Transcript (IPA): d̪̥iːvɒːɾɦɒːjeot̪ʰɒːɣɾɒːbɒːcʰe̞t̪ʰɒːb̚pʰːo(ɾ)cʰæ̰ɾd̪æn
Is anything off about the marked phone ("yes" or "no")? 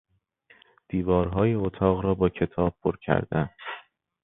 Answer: no